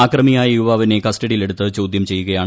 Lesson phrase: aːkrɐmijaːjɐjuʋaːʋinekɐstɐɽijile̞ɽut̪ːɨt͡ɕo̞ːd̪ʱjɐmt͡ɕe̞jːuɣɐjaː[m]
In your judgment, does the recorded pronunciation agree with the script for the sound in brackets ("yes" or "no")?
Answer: no